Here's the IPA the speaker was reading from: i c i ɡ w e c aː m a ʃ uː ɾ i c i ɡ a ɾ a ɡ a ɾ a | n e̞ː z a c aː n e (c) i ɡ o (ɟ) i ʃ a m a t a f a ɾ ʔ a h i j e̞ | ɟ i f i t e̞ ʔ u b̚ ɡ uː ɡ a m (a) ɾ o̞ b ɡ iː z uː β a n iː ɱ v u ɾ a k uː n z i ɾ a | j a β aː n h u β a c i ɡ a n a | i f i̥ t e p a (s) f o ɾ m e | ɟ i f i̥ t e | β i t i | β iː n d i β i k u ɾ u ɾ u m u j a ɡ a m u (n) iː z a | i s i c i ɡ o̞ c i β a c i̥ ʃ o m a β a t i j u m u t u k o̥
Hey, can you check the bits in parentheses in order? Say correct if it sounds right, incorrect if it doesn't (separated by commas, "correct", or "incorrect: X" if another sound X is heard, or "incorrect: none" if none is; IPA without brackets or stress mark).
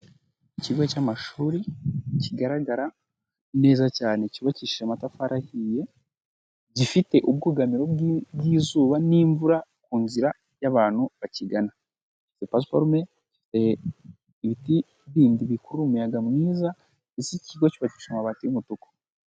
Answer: correct, incorrect: c, incorrect: i, correct, correct